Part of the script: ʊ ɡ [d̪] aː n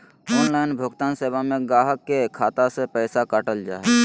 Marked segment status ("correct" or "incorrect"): incorrect